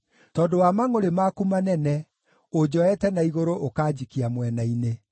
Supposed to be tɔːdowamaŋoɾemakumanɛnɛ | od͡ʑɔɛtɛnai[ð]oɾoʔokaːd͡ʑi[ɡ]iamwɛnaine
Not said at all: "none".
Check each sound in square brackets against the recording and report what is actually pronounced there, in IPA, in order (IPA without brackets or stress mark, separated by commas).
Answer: ɣ, k